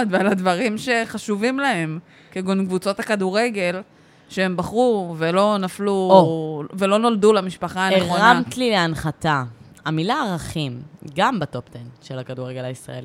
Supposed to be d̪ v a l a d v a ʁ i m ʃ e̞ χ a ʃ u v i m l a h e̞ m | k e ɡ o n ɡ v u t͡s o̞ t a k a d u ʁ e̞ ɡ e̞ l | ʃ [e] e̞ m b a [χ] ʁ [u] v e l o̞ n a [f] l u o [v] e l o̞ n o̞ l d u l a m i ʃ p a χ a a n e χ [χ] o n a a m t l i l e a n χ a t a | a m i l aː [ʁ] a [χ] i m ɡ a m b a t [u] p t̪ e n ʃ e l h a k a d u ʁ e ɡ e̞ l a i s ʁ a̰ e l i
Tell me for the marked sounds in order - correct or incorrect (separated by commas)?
correct, correct, correct, correct, correct, incorrect, correct, correct, incorrect